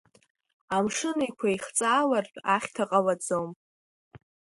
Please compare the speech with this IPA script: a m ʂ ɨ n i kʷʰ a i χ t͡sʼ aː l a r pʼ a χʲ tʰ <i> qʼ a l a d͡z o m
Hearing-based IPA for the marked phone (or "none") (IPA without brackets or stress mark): a